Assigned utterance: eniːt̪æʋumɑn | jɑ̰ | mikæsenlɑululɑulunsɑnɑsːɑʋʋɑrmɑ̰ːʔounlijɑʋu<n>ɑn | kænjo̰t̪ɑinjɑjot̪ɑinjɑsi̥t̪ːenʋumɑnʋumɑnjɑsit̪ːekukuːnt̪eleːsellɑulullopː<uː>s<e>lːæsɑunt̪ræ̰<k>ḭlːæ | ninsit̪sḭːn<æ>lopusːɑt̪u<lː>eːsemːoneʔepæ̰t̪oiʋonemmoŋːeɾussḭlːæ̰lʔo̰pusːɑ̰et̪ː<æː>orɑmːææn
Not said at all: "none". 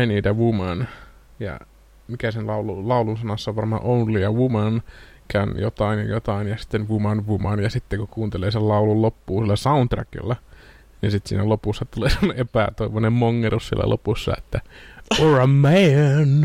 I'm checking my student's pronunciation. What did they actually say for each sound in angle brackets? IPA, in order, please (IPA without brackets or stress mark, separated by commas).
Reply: m, uː, i, k, æ, l, æ